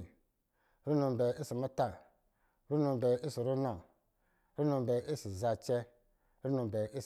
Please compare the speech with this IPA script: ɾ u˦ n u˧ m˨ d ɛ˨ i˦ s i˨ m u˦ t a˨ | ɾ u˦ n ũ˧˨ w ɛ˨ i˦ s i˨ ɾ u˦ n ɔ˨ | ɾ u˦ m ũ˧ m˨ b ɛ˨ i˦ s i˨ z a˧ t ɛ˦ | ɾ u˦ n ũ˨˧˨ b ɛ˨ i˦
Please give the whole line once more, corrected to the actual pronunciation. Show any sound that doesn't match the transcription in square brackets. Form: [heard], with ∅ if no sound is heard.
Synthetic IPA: ɾ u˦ n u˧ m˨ [b] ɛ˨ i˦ s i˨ m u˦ t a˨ | ɾ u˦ n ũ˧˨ [b] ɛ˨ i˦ s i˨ ɾ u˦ n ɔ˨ | ɾ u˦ [n] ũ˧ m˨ b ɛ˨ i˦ s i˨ z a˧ [t͡ʃ] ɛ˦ | ɾ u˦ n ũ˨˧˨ b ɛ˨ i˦